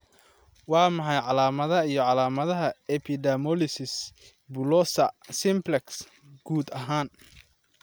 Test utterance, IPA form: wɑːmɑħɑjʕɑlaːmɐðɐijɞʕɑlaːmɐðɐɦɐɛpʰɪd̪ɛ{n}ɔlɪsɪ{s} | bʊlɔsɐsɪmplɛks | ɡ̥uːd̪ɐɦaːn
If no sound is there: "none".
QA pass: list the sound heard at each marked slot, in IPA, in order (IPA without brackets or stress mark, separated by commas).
m, s